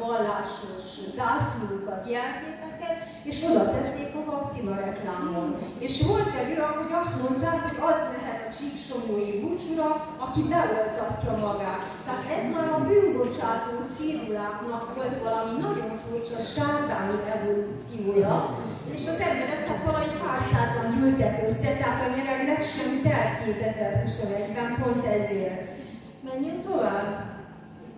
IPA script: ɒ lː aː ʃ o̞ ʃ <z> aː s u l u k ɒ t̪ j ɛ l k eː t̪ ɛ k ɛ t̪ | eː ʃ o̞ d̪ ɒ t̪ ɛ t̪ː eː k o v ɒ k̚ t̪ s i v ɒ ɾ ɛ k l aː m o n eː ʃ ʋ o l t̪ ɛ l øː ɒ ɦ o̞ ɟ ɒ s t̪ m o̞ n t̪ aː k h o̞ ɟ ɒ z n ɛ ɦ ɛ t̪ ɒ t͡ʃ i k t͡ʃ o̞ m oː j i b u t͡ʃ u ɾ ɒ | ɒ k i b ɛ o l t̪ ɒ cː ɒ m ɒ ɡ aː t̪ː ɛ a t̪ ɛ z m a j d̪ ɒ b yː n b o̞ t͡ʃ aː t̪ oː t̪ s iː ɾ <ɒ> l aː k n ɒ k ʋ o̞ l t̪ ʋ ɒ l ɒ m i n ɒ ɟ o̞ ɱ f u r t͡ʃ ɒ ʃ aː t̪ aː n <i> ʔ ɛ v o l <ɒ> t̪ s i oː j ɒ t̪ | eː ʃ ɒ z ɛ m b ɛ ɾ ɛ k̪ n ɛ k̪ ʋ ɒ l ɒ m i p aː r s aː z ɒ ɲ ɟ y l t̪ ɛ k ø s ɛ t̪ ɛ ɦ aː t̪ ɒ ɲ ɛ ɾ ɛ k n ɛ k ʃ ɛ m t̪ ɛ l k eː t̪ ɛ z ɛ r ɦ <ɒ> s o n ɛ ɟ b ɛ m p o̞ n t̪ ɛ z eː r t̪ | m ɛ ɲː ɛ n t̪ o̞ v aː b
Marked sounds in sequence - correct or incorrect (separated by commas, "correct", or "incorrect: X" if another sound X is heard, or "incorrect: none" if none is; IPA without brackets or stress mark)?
correct, incorrect: u, correct, incorrect: u, incorrect: u